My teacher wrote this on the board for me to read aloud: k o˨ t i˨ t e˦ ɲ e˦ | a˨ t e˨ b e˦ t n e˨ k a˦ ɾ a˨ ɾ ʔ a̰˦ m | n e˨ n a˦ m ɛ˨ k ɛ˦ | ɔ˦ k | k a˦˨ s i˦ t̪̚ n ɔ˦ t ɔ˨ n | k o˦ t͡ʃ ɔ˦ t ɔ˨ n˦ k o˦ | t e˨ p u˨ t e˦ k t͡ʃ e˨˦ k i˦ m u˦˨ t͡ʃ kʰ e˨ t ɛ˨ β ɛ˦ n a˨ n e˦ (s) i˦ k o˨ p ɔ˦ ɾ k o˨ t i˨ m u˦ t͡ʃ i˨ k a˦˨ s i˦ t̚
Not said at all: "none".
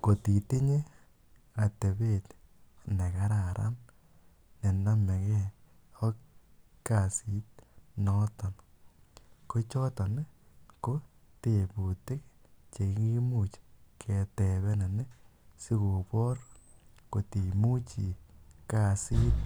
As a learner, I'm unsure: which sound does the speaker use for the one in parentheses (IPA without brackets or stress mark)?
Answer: s